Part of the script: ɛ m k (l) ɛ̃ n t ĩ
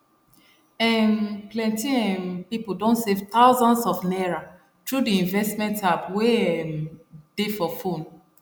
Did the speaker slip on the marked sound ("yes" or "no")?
no